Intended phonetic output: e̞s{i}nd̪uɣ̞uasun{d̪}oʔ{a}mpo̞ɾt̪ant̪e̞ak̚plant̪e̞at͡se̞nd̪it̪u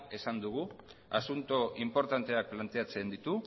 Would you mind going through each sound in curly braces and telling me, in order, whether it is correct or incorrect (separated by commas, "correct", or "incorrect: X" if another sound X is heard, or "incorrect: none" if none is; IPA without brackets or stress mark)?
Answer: incorrect: a, incorrect: t̪, incorrect: i